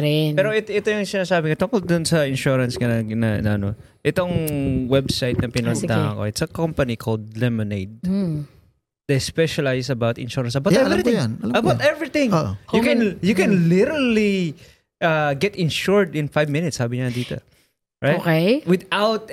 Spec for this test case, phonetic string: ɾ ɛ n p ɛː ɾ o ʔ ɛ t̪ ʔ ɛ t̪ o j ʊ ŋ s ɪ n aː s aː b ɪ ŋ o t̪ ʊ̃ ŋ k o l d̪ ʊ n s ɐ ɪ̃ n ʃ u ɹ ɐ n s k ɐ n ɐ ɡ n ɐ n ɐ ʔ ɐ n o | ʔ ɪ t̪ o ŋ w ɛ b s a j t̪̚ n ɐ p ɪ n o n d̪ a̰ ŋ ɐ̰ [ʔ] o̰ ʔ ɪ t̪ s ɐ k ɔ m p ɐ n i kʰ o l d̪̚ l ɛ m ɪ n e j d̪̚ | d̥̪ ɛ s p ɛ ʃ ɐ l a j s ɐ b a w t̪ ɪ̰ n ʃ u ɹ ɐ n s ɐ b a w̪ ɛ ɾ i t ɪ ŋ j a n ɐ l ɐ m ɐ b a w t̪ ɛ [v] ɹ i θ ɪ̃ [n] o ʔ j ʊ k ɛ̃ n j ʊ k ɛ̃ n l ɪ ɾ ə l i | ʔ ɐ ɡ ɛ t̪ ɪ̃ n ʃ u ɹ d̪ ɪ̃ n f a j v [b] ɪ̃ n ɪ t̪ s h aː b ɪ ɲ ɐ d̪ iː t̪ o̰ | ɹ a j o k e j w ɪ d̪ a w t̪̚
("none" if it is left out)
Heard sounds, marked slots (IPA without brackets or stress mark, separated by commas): k, v, ŋ, m